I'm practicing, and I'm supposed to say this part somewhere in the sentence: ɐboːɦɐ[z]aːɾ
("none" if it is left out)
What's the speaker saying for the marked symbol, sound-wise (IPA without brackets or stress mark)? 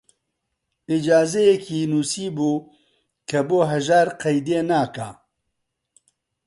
ʒ